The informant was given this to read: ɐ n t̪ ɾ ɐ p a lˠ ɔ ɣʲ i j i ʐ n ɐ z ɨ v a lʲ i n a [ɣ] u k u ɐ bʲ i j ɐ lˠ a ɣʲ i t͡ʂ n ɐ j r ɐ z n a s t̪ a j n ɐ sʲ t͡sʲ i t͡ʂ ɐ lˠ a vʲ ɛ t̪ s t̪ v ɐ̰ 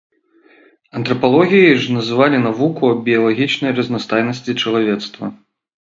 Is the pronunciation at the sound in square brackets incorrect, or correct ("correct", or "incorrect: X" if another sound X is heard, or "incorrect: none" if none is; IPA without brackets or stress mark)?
incorrect: v